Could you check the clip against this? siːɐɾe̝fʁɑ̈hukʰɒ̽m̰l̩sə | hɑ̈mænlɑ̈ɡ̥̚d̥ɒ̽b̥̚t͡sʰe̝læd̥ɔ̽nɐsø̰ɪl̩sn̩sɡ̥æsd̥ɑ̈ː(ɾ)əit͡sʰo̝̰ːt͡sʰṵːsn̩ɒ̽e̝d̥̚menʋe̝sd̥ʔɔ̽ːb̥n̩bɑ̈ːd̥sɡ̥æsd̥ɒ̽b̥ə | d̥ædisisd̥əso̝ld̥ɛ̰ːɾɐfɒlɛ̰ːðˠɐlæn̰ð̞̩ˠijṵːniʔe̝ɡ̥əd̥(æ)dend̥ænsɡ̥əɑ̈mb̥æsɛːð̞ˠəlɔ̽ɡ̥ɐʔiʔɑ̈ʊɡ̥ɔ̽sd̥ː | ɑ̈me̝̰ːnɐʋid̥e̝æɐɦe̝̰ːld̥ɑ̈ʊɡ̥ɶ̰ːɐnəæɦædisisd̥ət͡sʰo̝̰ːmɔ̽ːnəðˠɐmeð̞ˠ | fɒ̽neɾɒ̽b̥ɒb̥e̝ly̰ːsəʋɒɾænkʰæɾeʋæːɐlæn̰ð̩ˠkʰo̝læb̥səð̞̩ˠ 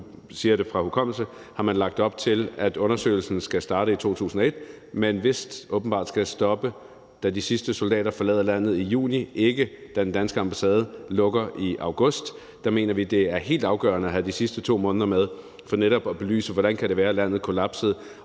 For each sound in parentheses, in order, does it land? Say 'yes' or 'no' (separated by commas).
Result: yes, yes